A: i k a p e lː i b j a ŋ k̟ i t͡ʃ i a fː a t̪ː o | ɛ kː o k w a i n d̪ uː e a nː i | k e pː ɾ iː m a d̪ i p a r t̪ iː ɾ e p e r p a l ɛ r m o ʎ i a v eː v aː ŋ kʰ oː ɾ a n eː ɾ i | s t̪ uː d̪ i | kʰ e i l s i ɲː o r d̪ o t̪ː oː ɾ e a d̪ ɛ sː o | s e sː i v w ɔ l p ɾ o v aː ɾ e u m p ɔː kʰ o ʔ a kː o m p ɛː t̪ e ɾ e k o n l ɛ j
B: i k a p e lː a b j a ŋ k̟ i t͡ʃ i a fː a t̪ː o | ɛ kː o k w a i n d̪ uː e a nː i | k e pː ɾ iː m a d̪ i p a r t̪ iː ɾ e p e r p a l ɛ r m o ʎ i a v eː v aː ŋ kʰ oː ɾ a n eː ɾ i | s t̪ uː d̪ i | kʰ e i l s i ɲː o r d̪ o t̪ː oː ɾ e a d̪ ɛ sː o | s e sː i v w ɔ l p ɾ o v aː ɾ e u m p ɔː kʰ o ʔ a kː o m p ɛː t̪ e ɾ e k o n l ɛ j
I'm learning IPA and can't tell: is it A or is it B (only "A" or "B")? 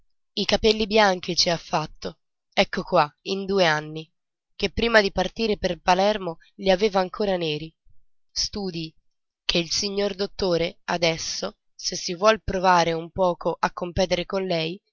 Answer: A